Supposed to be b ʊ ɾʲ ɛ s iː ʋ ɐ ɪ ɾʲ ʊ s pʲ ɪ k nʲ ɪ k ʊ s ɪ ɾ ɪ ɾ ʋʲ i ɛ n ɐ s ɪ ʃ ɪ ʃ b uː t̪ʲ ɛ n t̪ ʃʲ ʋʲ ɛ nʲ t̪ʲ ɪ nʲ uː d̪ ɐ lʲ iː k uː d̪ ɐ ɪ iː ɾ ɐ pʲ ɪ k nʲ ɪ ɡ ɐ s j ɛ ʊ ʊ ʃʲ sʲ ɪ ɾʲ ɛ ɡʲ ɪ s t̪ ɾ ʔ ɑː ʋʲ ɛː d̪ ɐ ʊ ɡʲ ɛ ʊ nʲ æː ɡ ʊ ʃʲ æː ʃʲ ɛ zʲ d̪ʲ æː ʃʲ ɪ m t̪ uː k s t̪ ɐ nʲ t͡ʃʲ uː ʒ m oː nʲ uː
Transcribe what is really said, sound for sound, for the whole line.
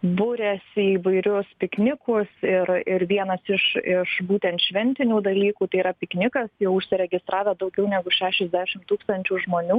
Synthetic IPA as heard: b ʊ ɾʲ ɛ s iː ʋ ɐ ɪ ɾʲ ʊ s pʲ ɪ k nʲ ɪ k ʊ s ɪ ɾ ɪ ɾ ʋʲ i ɛ n ɐ s ɪ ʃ ɪ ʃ b uː t̪ʲ ɛ n t̪ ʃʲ ʋʲ ɛ nʲ t̪ʲ ɪ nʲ uː d̪ ɐ lʲ iː k uː t̪ ɐ ɪ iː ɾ ɐ pʲ ɪ k nʲ ɪ k ɐ s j ɛ ʊ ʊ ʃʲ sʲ ɪ ɾʲ ɛ ɡʲ ɪ s t̪ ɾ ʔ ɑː ʋʲ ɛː d̪ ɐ ʊ ɡʲ ɛ ʊ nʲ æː ɡ ʊ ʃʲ æː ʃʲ ɛ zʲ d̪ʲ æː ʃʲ ɪ m t̪ uː k s t̪ ɐ nʲ t͡ʃʲ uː ʒ m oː nʲ uː